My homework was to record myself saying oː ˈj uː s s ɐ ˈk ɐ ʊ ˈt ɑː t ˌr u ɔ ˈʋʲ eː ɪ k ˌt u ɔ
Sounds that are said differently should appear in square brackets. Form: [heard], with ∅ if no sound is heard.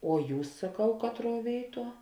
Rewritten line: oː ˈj uː s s ɐ ˈk ɐ ʊ [ˈk] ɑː t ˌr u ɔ ˈʋʲ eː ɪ [∅] ˌt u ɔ